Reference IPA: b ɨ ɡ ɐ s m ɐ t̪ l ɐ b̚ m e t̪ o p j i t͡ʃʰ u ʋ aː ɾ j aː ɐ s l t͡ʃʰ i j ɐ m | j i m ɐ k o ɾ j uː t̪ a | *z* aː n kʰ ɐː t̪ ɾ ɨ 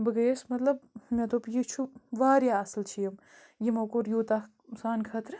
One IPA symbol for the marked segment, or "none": s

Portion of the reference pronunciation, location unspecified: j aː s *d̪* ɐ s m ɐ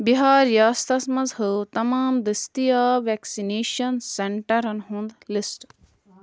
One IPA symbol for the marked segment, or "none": t̪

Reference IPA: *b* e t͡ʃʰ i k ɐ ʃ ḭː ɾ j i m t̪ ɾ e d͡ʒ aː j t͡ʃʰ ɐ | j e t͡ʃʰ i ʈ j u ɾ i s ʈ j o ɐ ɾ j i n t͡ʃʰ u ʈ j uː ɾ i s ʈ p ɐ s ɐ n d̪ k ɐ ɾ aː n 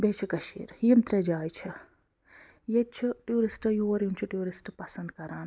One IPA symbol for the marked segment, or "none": b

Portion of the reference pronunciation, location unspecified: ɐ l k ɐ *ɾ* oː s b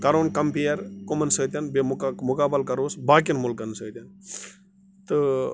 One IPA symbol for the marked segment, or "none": ɾ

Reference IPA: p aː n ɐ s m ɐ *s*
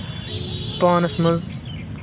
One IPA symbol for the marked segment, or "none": z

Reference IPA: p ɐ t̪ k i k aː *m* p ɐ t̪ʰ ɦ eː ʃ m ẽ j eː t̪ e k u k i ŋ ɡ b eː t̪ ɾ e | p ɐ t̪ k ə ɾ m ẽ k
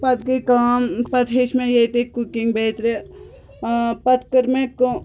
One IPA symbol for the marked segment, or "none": m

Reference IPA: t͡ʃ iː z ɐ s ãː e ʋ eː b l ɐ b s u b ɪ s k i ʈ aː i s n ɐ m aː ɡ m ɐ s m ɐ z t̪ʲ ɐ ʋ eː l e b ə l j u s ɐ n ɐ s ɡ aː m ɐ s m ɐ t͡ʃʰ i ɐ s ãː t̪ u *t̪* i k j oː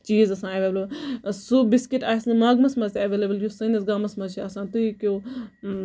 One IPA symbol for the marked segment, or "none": none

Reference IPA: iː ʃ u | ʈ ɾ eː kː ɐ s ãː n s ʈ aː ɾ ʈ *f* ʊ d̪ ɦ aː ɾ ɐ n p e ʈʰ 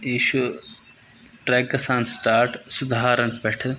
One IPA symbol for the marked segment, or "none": s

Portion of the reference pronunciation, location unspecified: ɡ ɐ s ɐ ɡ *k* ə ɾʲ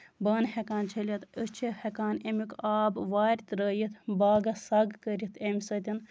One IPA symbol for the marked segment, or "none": k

